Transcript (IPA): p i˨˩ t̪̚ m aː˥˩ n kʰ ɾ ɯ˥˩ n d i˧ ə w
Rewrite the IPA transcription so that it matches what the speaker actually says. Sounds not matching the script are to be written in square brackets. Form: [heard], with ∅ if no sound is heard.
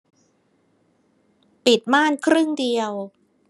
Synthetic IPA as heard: p i˨˩ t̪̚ m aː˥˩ n kʰ ɾ ɯ˥˩ [ŋ] d i˧ ə w